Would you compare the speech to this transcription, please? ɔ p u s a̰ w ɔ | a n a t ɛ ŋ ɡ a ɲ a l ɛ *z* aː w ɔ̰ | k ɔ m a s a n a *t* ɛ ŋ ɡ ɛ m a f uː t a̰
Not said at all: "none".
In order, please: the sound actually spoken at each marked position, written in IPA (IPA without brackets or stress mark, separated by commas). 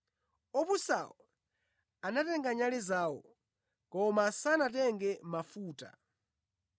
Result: z, t